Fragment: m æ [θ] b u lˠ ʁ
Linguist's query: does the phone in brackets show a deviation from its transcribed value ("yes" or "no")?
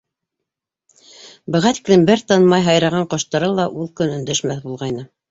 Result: no